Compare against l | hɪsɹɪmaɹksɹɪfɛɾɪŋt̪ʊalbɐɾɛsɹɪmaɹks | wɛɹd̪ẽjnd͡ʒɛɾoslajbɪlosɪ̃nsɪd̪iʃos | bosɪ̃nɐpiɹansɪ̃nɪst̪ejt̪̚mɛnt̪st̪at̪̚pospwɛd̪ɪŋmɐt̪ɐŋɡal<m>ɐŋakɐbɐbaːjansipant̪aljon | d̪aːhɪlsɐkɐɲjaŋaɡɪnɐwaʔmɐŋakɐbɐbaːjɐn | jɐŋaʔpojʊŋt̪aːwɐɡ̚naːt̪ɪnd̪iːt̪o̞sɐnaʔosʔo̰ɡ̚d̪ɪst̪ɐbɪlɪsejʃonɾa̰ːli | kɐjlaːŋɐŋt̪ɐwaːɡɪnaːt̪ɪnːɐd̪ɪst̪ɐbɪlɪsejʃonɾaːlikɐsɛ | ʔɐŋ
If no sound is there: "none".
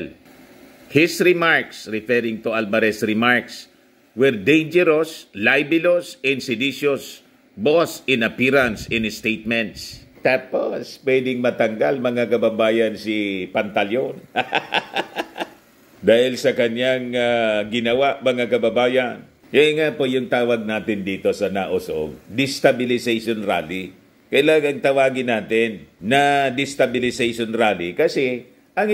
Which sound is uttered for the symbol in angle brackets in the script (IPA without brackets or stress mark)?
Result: m